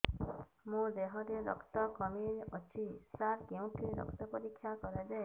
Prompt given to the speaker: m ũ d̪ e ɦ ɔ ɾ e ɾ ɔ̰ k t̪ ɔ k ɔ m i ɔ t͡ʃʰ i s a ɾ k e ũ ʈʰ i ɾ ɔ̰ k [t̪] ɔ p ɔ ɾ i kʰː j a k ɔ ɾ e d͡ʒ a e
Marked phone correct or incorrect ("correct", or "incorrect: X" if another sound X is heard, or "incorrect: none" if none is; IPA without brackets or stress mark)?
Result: correct